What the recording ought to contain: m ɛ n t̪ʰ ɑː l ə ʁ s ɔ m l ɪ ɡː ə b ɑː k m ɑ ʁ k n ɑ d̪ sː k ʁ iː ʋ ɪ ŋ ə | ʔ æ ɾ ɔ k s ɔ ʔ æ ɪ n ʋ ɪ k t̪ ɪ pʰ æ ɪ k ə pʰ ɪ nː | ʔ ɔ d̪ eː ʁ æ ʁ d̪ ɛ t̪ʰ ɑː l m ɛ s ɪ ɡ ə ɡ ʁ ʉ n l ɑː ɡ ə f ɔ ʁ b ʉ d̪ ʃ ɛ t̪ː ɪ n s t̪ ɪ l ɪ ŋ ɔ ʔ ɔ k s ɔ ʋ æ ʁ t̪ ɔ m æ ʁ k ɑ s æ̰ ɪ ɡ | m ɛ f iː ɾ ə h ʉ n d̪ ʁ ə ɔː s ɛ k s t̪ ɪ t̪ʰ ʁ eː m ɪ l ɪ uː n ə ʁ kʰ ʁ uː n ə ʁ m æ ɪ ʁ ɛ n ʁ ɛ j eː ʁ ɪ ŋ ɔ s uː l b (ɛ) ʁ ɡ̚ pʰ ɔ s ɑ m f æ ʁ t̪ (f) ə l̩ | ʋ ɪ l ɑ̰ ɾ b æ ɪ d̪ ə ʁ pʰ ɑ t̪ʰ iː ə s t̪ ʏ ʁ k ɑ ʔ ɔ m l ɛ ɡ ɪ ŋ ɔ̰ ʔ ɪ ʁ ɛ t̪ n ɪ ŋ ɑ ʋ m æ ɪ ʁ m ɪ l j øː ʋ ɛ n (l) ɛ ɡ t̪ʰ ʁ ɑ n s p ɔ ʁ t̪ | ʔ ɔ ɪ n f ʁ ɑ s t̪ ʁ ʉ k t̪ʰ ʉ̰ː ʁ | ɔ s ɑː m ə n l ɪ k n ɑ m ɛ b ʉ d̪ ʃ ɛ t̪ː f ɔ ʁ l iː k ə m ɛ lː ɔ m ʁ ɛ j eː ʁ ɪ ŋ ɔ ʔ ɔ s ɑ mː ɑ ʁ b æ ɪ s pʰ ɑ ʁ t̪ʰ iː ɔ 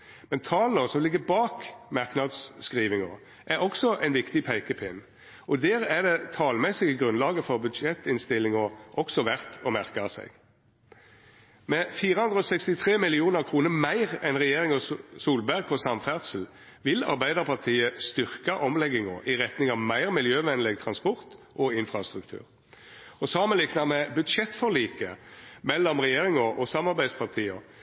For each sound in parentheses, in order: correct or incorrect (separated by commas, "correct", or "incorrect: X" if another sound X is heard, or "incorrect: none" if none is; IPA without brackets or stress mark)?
incorrect: æ, incorrect: s, correct